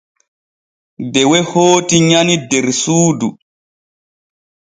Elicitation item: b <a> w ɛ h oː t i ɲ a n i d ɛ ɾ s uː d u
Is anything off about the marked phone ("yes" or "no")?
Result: yes